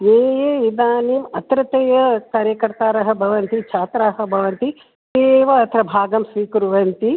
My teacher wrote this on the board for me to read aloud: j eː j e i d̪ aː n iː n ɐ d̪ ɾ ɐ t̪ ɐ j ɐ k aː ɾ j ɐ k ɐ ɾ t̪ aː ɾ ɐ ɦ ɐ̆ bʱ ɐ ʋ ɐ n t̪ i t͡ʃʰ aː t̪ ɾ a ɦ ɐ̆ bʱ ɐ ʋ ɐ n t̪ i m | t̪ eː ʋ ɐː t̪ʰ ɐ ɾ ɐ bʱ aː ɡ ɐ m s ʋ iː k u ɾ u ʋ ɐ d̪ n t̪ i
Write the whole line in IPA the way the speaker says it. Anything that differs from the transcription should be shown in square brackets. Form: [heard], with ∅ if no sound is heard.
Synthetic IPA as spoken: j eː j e i d̪ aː n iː [m] ɐ [t̪] ɾ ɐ t̪ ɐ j ɐ k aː ɾ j ɐ k ɐ ɾ t̪ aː ɾ ɐ ɦ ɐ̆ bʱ ɐ ʋ ɐ n t̪ i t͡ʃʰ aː t̪ ɾ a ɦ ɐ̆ bʱ ɐ ʋ ɐ n t̪ i [∅] | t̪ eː ʋ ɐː t̪ʰ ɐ ɾ ɐ bʱ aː ɡ ɐ m s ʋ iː k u ɾ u ʋ ɐ [∅] n t̪ i

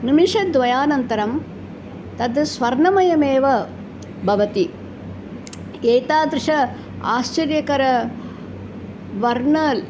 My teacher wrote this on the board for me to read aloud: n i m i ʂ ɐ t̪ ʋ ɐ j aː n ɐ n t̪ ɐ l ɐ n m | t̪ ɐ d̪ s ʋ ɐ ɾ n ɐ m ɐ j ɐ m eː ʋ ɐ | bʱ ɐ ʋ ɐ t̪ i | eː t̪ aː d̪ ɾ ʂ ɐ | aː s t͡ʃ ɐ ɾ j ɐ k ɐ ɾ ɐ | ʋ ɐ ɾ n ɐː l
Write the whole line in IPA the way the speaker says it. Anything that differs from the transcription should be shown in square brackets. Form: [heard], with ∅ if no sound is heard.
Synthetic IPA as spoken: n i m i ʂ ɐ [d̪] ʋ ɐ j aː n ɐ n t̪ ɐ [ɾ] ɐ [∅] m | t̪ ɐ d̪ s ʋ ɐ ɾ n ɐ m ɐ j ɐ m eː ʋ ɐ | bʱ ɐ ʋ ɐ t̪ i | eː t̪ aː d̪ ɾ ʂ ɐ | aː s t͡ʃ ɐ ɾ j ɐ k ɐ ɾ ɐ | ʋ ɐ ɾ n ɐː l

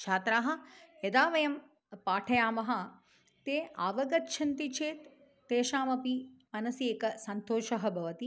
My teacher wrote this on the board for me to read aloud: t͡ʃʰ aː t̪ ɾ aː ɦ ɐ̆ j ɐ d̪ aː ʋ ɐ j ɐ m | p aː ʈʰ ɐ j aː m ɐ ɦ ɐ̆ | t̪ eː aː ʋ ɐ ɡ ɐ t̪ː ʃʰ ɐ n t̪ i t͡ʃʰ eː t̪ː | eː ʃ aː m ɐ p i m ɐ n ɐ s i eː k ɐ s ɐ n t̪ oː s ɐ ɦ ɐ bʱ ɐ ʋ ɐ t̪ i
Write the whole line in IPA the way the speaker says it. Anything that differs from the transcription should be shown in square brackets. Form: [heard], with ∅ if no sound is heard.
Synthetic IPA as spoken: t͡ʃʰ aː t̪ ɾ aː ɦ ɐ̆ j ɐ d̪ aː ʋ ɐ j ɐ m | p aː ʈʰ ɐ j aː m ɐ ɦ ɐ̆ | t̪ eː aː ʋ ɐ ɡ ɐ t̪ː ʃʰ ɐ n t̪ i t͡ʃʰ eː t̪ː | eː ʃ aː m ɐ p i m ɐ n ɐ s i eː k ɐ s ɐ n t̪ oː [ʃ] ɐ ɦ ɐ bʱ ɐ ʋ ɐ t̪ i

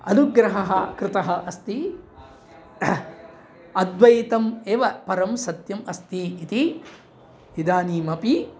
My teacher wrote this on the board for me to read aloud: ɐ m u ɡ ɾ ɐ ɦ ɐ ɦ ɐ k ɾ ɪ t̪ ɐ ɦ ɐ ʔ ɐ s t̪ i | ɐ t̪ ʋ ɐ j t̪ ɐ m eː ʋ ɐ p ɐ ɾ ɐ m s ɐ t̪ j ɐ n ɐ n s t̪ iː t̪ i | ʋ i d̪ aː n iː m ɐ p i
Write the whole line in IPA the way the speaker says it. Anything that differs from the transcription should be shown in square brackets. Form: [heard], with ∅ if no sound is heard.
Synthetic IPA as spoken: ɐ [n] u ɡ ɾ ɐ ɦ ɐ ɦ ɐ k ɾ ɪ t̪ ɐ ɦ ɐ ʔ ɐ s t̪ i | ɐ [d̪] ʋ ɐ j t̪ ɐ m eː ʋ ɐ p ɐ ɾ ɐ m s ɐ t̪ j ɐ [m] ɐ [∅] s t̪ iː t̪ i | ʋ i d̪ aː n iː m ɐ p i

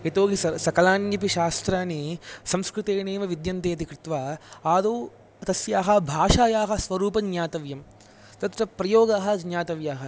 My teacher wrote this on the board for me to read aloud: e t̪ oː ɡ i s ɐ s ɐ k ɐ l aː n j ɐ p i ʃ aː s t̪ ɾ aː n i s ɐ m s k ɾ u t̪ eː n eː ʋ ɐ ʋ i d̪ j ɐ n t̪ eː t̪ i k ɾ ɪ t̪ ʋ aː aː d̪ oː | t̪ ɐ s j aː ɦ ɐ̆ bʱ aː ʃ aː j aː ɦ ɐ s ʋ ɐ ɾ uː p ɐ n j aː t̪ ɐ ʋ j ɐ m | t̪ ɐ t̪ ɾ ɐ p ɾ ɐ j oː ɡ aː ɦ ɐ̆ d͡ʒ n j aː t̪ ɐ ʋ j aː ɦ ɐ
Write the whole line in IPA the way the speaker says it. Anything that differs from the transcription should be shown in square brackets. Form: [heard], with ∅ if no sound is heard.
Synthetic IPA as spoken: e t̪ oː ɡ i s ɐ s ɐ k ɐ l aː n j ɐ p i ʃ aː s t̪ ɾ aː n i s ɐ m s k ɾ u t̪ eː n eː ʋ ɐ ʋ i d̪ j ɐ n t̪ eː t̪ i k ɾ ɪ t̪ ʋ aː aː d̪ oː | t̪ ɐ s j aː ɦ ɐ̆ bʱ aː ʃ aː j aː ɦ ɐ s ʋ ɐ ɾ uː p ɐ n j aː t̪ ɐ ʋ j ɐ m | t̪ ɐ t̪ ɾ ɐ p ɾ ɐ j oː ɡ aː ɦ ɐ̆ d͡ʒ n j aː t̪ ɐ ʋ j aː ɦ ɐ

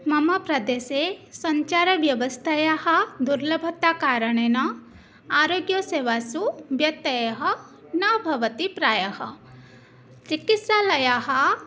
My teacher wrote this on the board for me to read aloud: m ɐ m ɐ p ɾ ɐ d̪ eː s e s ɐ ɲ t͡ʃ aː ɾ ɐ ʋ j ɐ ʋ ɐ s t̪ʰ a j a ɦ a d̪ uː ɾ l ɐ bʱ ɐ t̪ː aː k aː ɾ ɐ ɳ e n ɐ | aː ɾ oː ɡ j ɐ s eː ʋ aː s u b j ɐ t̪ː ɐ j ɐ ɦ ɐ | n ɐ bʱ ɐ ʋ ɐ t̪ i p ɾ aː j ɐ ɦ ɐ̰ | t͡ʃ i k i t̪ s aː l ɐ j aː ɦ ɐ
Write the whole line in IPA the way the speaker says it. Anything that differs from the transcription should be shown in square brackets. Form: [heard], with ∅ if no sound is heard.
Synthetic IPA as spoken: m ɐ m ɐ p ɾ ɐ d̪ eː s e s ɐ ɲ t͡ʃ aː ɾ ɐ ʋ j ɐ ʋ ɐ s t̪ʰ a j a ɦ [ɐ] d̪ [u] ɾ l ɐ bʱ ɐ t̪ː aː k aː ɾ ɐ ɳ e n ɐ | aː ɾ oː ɡ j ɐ s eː ʋ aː s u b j ɐ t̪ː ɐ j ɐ ɦ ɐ | n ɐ bʱ ɐ ʋ ɐ t̪ i p ɾ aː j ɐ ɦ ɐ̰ | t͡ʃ i k i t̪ s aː l ɐ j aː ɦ ɐ

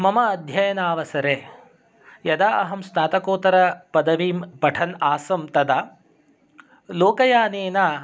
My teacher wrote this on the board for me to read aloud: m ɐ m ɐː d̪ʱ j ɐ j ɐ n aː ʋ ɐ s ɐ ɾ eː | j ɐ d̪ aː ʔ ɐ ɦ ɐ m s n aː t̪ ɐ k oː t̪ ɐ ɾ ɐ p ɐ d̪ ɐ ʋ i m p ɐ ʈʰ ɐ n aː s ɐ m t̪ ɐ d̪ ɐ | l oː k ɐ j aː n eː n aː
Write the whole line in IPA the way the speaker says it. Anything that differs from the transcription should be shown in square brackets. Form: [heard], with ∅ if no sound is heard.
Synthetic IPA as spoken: m ɐ m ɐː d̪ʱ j ɐ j ɐ n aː ʋ ɐ s ɐ ɾ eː | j ɐ d̪ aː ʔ ɐ ɦ ɐ m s n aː t̪ ɐ k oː t̪ ɐ ɾ ɐ p ɐ d̪ ɐ ʋ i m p ɐ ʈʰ ɐ n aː s ɐ m t̪ ɐ d̪ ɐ | l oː k ɐ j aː n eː n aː

